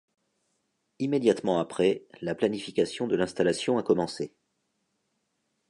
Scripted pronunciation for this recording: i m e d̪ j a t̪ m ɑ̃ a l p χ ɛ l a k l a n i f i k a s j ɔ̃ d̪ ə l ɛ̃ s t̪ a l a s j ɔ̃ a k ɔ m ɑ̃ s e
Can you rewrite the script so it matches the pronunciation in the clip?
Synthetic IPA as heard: i m e d̪ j a t̪ m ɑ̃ a p χ ɛ l a p l a n i f i k a s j ɔ̃ d̪ ə l ɛ̃ s t̪ a l a s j ɔ̃ a k ɔ m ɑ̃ s e